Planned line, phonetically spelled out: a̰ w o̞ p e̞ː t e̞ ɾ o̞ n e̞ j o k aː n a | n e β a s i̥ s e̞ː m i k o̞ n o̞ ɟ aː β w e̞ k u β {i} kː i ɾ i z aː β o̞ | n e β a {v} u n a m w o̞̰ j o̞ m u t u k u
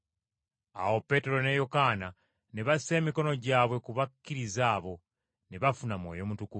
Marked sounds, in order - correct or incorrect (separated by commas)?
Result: incorrect, incorrect